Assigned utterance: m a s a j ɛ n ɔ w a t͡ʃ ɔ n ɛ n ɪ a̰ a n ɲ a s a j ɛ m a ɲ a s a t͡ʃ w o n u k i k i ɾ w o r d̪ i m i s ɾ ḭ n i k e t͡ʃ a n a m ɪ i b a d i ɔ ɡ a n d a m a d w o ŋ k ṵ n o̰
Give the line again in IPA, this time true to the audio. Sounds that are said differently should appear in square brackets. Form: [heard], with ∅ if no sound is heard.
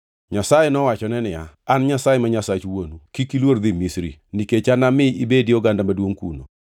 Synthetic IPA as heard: [ɲ] a s a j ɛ n ɔ w a t͡ʃ ɔ n ɛ n ɪ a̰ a n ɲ a s a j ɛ m a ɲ a s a t͡ʃ w o n u k i k i [l] w o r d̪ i m i s ɾ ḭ n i k e t͡ʃ a n a m ɪ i b [e] d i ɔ ɡ a n d a m a d w o ŋ k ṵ n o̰